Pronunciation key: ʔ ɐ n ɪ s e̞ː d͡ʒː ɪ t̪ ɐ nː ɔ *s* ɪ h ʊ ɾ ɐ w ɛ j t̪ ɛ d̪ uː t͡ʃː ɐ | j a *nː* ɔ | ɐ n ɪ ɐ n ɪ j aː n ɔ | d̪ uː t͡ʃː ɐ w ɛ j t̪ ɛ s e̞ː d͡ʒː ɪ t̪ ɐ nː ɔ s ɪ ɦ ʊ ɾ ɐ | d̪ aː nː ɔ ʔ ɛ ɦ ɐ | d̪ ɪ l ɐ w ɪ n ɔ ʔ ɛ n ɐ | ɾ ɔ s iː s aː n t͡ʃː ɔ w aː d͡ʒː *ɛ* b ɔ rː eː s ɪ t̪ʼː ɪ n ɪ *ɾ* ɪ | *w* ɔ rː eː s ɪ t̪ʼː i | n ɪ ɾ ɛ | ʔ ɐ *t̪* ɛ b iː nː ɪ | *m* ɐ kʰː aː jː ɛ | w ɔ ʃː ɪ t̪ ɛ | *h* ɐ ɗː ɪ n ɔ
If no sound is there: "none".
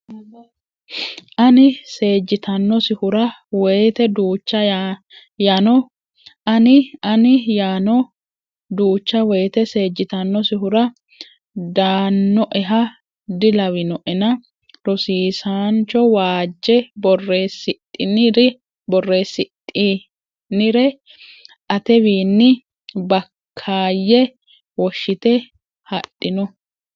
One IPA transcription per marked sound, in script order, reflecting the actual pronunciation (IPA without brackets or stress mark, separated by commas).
s, n, ɛ, ɾ, b, t̪, b, h